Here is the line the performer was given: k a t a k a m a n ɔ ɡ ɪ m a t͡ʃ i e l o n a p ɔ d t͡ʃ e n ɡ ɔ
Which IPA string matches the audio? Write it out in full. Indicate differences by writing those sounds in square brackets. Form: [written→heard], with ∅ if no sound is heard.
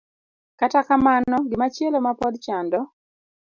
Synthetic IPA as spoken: k a t a k a m a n ɔ ɡ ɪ m a t͡ʃ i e l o [n→m] a p ɔ d t͡ʃ [e→a] n [ɡ→d] ɔ